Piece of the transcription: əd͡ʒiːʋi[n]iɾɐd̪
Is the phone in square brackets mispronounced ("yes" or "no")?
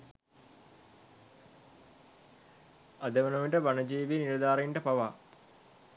no